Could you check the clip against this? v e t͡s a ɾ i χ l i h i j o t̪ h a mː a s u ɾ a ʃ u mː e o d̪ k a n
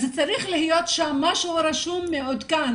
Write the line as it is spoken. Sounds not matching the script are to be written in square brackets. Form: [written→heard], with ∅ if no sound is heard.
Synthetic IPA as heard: [v→z] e t͡s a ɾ i χ l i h i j o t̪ [h→ʃ] a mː a [s→ʃ] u ɾ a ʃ u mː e o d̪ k a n

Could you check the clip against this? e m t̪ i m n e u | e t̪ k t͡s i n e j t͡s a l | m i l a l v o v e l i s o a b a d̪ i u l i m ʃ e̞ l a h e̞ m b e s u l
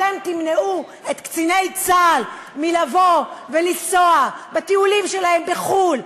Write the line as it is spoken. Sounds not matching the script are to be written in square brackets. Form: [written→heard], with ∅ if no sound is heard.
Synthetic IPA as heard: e m t̪ i m n e u | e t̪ k t͡s i n e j t͡s a l | m i l a [l→∅] v o v e l i s o a b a [d̪→t̪] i u l i m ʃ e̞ l a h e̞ m b e [s→χ] u l

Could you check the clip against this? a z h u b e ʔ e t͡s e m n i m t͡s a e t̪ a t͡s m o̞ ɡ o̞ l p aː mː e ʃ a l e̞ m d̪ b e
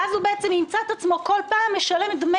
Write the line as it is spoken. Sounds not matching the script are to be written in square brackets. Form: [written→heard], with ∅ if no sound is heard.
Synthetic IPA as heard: a z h u b e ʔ e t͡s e m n i m t͡s a e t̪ a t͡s m o̞ [ɡ→k] o̞ l p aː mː e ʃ a l e̞ m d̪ [b→m] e

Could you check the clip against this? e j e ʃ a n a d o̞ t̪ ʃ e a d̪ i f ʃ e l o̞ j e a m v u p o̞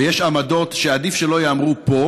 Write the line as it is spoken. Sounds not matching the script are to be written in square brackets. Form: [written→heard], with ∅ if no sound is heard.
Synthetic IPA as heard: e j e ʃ a [n→m] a d o̞ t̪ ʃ e a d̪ i f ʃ e l o̞ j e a m [v→ʁ] u p o̞

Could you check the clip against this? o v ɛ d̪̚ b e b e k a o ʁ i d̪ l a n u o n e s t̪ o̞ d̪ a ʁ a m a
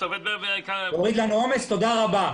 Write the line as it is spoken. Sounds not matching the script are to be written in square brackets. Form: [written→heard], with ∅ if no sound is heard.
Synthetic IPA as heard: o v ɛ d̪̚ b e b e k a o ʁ i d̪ l a n u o [n→m] e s t̪ o̞ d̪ a ʁ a [m→b] a

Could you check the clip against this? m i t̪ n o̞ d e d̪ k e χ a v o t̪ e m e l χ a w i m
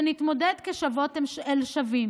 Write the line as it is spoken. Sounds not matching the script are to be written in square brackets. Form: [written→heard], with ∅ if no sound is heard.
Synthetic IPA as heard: [m→n] i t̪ [n→m] o̞ d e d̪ k e [χ→ʃ] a v o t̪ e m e l [χ→ʃ] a [w→v] i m

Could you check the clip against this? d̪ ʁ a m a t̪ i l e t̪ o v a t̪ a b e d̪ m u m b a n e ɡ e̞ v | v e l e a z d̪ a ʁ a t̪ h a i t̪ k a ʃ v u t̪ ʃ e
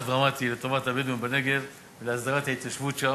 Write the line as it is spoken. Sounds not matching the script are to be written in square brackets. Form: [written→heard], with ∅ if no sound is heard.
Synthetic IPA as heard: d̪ ʁ a m a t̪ i l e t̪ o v a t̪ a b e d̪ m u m b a n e ɡ e̞ v | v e l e a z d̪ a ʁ a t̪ h a i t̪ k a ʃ v u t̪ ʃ [e→a]

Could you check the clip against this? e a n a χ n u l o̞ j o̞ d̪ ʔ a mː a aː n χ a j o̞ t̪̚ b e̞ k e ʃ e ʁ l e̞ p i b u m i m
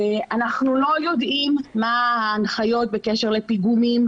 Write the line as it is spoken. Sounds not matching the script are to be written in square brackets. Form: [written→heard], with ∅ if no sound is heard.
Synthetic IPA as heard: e a n a χ n u l o̞ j o̞ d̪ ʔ [a→i] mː a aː n χ a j o̞ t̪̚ b e̞ k e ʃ e ʁ l e̞ p i [b→ɡ] u m i m

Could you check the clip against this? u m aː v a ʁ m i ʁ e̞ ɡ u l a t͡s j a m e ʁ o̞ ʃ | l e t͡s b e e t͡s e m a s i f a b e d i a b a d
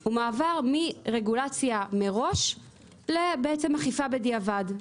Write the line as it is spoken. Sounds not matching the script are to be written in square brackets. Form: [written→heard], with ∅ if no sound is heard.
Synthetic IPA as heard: u m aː v a ʁ m i ʁ e̞ ɡ u l a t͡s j a m e ʁ o̞ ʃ | l e [t͡s→∅] b e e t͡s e m a [s→χ] i f a b e d i a [b→v] a d

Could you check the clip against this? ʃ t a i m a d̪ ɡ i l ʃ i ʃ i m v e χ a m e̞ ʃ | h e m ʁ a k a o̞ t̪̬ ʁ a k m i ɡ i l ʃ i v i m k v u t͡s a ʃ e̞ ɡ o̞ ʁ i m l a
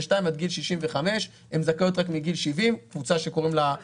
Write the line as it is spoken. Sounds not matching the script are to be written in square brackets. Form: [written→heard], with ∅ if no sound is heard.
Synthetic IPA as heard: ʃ t a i m a d̪ ɡ i l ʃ i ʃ i m v e χ a m e̞ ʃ | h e m [ʁ→z] a k a o̞ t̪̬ ʁ a k m i ɡ i l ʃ i v i m k v u t͡s a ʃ e̞ [ɡ→k] o̞ ʁ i m l a

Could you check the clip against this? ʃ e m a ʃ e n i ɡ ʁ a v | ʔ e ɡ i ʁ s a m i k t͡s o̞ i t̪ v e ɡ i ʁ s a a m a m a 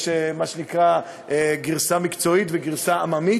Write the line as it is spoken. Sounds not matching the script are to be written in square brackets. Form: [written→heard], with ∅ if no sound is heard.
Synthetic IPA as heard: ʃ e m a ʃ e n i [ɡ→k] ʁ a [v→∅] | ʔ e ɡ i ʁ s a m i k t͡s o̞ i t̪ v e ɡ i ʁ s a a m a m [a→i]

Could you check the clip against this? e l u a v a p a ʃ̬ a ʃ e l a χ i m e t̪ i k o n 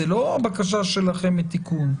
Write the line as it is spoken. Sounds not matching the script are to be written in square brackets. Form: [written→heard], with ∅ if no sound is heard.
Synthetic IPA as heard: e l [u→o] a [v→b] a [p→k] a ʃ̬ a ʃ e l a χ [i→e] m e t̪ i k [o→u] n

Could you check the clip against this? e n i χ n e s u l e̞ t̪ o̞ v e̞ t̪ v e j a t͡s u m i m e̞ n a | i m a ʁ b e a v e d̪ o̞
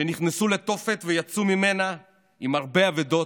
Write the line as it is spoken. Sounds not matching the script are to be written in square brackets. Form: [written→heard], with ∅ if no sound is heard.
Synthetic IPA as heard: e n i χ n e s u l e̞ t̪ o̞ [v→f] e̞ t̪ v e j a t͡s u m i m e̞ n a | i m a ʁ b e a v e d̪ o̞

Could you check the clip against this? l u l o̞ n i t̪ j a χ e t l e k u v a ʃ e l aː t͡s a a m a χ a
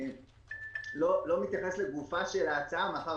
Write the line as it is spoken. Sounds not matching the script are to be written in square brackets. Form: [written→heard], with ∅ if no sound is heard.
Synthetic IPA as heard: l [u→o] l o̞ [n→m] i t̪ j a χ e [t→s] l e [k→ɡ] u [v→f] a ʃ e l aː t͡s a a m a χ a

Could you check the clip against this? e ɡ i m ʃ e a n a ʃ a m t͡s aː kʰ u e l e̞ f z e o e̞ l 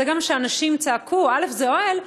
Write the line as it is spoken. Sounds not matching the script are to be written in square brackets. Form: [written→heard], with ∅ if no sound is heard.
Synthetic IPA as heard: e ɡ [i→a] m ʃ e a n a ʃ [a→i] m t͡s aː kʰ u [e→a] l e̞ f z e o e̞ l

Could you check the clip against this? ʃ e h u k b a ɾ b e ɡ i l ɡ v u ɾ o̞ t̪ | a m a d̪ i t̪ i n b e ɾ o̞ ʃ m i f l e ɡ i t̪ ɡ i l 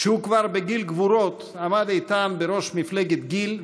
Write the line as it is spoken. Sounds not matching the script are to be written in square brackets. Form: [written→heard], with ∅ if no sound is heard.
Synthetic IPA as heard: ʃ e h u k [b→v] a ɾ b e ɡ i l ɡ v u ɾ o̞ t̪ | a m a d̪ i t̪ [i→a] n b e ɾ o̞ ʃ m i f l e ɡ [i→e] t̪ ɡ i l

